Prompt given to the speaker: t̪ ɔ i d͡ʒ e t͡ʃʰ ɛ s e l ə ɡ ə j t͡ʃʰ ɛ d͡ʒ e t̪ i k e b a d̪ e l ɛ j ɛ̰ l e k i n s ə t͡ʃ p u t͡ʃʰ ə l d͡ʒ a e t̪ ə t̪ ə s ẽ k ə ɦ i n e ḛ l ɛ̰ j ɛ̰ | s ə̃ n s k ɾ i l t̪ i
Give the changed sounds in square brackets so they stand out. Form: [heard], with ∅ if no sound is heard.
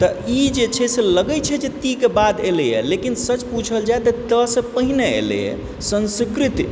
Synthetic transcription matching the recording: t̪ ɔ i d͡ʒ e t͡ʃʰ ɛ s e l ə ɡ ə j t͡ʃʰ ɛ d͡ʒ e t̪ i k e b a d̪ e l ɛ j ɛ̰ l e k i n s ə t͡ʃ p u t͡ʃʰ ə l d͡ʒ a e t̪ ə t̪ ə s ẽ [p] ə ɦ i n e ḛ l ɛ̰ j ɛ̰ | s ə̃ n s k ɾ i [∅] t̪ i